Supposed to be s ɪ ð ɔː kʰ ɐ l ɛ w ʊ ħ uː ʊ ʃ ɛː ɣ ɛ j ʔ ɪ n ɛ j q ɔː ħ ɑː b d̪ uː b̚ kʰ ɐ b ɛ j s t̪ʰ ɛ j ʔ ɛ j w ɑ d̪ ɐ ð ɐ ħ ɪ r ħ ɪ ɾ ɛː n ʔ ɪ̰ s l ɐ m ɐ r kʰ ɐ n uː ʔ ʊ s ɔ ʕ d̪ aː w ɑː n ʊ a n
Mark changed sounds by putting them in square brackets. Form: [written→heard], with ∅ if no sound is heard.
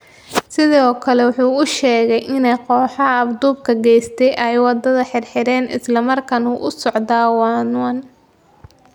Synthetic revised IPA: s ɪ ð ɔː kʰ ɐ l ɛ w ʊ ħ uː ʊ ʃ ɛː ɣ ɛ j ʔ ɪ n ɛ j q ɔː ħ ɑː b d̪ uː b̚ kʰ ɐ [b→ɡ] ɛ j s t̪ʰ ɛ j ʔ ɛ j w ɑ d̪ ɐ ð ɐ ħ ɪ r ħ ɪ ɾ ɛː n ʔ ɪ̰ s l ɐ m ɐ r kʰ ɐ n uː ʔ ʊ s ɔ ʕ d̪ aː w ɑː n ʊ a n

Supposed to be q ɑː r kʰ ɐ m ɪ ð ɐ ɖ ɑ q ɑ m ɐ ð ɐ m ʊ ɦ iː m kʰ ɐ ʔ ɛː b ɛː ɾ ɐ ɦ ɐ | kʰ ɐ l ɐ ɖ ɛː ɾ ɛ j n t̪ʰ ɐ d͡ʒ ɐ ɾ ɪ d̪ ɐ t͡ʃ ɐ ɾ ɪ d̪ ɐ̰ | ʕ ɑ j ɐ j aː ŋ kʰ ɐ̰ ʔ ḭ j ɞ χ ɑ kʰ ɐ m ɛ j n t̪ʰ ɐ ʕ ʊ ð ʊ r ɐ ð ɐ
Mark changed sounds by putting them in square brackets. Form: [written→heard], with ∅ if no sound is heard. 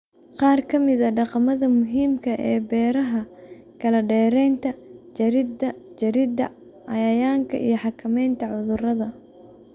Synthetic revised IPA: q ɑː r kʰ ɐ m ɪ ð ɐ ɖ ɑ q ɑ m ɐ ð ɐ m ʊ ɦ iː m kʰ ɐ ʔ ɛː b ɛː ɾ ɐ ɦ ɐ | kʰ ɐ l ɐ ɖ ɛː ɾ ɛ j n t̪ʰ ɐ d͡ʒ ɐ ɾ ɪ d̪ ɐ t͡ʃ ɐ ɾ ɪ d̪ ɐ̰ | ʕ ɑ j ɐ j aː ŋ kʰ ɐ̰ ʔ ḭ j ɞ [χ→ħ] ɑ kʰ ɐ m ɛ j n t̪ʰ ɐ ʕ ʊ ð ʊ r ɐ ð ɐ

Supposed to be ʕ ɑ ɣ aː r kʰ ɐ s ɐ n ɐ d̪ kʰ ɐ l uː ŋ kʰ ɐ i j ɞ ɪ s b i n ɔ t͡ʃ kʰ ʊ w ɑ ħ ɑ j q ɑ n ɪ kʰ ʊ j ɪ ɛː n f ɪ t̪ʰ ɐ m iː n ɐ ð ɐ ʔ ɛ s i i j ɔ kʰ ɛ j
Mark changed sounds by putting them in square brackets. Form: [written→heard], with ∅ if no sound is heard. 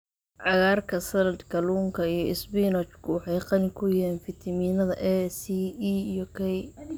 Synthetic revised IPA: ʕ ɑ ɣ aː r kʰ ɐ s ɐ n ɐ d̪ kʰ ɐ l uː ŋ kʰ ɐ i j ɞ ɪ s b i n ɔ t͡ʃ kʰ ʊ w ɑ ħ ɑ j q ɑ n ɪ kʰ ʊ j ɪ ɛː n f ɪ t̪ʰ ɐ m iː n ɐ ð ɐ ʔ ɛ s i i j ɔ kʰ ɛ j

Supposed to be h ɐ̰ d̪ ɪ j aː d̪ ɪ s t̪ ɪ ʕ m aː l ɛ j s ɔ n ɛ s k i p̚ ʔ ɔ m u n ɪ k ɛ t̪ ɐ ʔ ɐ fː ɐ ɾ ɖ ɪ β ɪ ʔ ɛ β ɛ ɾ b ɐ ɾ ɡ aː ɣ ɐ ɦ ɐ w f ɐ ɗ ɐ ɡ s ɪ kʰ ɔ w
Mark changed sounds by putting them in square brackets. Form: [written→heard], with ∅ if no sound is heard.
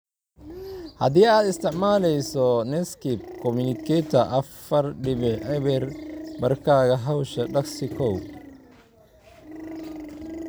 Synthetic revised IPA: h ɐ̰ d̪ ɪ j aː d̪ ɪ s t̪ ɪ ʕ m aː l ɛ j s ɔ n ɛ s k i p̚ [ʔ→k] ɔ m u n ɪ k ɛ t̪ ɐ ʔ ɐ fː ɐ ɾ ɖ ɪ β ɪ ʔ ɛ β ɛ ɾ b ɐ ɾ [ɡ→k] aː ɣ ɐ ɦ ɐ w [f→ʃ] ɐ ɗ ɐ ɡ s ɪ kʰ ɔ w

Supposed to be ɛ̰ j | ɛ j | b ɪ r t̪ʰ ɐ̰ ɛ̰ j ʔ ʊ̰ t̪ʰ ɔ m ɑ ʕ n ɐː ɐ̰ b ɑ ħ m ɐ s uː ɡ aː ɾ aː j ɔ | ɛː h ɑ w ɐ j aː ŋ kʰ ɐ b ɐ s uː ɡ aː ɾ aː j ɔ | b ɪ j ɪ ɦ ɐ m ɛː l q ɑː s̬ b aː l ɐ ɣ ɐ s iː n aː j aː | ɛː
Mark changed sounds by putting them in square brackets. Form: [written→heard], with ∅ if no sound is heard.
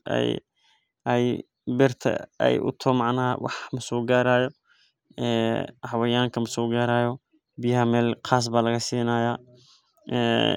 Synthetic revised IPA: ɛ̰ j | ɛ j | b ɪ r t̪ʰ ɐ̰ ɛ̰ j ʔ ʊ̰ t̪ʰ ɔ m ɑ ʕ n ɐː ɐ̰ [b→w] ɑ ħ m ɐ s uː ɡ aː ɾ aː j ɔ | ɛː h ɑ w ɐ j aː ŋ kʰ ɐ [b→m] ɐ s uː ɡ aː ɾ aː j ɔ | b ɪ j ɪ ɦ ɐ m ɛː l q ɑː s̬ b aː l ɐ ɣ ɐ s iː n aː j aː | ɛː

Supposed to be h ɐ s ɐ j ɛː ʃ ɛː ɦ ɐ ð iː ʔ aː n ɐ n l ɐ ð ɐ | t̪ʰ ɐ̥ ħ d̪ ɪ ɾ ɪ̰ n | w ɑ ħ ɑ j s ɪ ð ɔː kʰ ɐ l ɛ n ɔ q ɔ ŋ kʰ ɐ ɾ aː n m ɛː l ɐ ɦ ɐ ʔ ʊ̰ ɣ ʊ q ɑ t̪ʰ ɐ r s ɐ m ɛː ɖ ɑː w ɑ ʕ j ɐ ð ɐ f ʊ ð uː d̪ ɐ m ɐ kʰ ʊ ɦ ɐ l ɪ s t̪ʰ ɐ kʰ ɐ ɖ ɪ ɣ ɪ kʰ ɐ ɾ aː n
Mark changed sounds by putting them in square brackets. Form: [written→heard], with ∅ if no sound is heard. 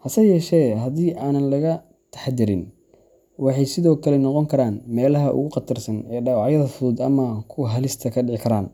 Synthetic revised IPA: h ɐ s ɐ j ɛː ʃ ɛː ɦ ɐ ð iː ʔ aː n ɐ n l ɐ [ð→ɣ] ɐ | t̪ʰ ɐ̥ ħ d̪ ɪ ɾ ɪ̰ n | w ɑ ħ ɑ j s ɪ ð ɔː kʰ ɐ l ɛ n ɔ q ɔ ŋ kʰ ɐ ɾ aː n m ɛː l ɐ ɦ ɐ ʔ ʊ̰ ɣ ʊ q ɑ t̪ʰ ɐ r s ɐ [m→n] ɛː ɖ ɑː w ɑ ʕ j ɐ ð ɐ f ʊ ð uː d̪ ɐ m ɐ kʰ ʊ ɦ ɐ l ɪ s t̪ʰ ɐ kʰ ɐ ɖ ɪ [ɣ→ʕ] ɪ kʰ ɐ ɾ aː n

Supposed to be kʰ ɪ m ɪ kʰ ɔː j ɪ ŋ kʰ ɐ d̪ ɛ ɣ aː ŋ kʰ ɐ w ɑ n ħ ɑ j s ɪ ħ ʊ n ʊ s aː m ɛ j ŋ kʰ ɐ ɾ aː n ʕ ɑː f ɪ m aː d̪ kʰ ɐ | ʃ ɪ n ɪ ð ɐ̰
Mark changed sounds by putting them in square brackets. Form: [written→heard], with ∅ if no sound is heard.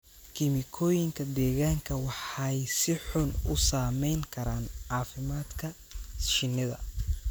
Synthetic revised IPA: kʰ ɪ m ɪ kʰ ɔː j ɪ ŋ kʰ ɐ d̪ [ɛ→ɛː] ɣ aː ŋ kʰ ɐ w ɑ [n→∅] ħ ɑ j s ɪ ħ ʊ n ʊ s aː m ɛ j ŋ kʰ ɐ ɾ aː n ʕ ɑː f ɪ m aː d̪ kʰ ɐ | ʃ ɪ n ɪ ð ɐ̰

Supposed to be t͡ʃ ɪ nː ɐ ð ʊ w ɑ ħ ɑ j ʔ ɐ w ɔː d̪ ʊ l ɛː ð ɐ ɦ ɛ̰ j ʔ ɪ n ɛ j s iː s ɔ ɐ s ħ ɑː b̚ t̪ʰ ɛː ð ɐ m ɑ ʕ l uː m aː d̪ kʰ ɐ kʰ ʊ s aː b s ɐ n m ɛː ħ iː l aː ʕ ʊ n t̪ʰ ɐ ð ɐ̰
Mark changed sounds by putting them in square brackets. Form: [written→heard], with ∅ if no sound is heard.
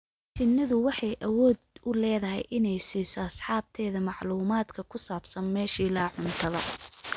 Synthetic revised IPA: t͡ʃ ɪ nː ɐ ð ʊ w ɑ ħ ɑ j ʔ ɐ w ɔː d̪ ʊ l ɛː ð ɐ ɦ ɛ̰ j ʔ ɪ n ɛ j s iː s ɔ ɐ s ħ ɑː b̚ t̪ʰ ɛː ð ɐ m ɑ ʕ l uː m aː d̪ kʰ ɐ kʰ ʊ s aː b s ɐ n m ɛː [ħ→ʃ] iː l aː ʕ ʊ n t̪ʰ ɐ ð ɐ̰

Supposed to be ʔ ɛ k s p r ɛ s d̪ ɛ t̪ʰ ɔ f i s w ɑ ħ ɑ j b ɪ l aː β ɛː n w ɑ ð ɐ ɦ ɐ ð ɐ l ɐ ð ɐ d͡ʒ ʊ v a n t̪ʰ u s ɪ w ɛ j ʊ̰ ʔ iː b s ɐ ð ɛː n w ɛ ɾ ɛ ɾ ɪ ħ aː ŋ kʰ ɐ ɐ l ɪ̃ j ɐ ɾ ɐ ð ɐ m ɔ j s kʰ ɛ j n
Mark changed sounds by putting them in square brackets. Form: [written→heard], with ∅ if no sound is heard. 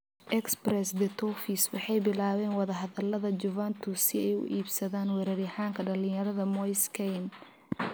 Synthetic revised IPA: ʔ ɛ k s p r ɛ s d̪ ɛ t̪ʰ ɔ f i s w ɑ ħ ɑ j b ɪ l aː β ɛː n w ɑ ð ɐ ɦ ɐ ð ɐ l ɐ ð ɐ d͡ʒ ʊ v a n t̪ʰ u s ɪ [w→∅] ɛ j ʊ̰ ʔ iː b s ɐ ð [ɛː→aː] n w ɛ ɾ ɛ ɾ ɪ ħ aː ŋ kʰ ɐ ɐ l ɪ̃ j ɐ ɾ ɐ ð ɐ m ɔ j s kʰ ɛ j n

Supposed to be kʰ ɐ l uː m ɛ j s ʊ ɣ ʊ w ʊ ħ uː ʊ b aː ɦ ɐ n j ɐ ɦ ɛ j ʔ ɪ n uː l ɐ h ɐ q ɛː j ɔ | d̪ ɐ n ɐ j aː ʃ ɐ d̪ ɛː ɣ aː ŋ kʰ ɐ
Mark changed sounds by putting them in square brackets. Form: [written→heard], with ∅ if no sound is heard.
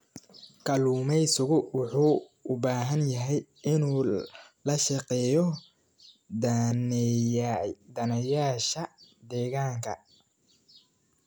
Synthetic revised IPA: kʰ ɐ l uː m ɛ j s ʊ ɣ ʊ w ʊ ħ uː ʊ b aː ɦ ɐ n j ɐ ɦ ɛ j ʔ ɪ n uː l ɐ [h→ʃ] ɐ q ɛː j ɔ | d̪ ɐ n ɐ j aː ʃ ɐ d̪ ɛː ɣ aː ŋ kʰ ɐ

